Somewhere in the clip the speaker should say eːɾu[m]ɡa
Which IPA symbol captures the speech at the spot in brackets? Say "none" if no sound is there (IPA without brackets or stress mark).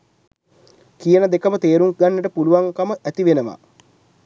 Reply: ŋ